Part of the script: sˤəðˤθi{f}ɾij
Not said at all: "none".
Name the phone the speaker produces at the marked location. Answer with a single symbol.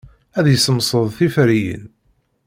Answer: f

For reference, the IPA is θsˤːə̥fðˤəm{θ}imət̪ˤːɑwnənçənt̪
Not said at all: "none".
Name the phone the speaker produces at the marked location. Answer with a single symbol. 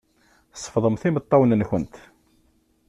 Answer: θ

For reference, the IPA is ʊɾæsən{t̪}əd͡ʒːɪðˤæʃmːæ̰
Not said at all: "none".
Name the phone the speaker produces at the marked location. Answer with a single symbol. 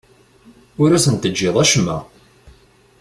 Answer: t̪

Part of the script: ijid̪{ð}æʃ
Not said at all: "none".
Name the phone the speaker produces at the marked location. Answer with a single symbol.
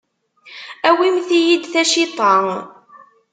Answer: θ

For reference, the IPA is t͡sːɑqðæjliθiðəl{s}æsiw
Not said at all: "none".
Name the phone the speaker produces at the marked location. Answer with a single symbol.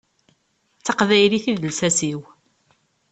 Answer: s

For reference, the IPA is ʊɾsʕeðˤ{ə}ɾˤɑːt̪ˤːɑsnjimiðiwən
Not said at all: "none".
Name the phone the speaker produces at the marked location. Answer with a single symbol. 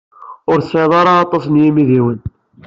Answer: ɑ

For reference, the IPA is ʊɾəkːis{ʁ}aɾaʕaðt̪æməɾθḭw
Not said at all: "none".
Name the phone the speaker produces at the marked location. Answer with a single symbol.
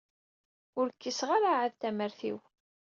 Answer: ʁ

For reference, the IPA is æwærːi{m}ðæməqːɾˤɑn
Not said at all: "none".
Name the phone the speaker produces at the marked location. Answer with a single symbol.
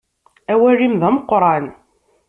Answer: m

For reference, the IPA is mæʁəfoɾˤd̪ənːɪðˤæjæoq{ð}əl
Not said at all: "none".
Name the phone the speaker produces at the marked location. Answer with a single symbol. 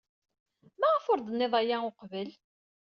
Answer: v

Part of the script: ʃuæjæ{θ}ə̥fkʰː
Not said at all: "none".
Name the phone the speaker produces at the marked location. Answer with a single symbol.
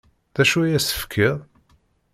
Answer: s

